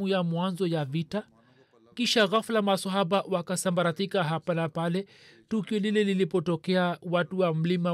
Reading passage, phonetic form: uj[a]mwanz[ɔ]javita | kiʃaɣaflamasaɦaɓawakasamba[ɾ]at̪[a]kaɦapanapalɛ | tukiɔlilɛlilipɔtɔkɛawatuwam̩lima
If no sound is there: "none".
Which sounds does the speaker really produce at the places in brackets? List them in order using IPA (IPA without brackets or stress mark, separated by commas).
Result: a, ɔ, ɾ, i